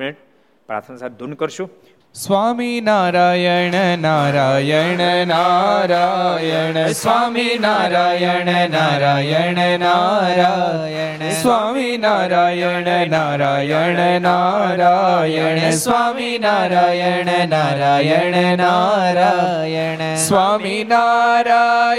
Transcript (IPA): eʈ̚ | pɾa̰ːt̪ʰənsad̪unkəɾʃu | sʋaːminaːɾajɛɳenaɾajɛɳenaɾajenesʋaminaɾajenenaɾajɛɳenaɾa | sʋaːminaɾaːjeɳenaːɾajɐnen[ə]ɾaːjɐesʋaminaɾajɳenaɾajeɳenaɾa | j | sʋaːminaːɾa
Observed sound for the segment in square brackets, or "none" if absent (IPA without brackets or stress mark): a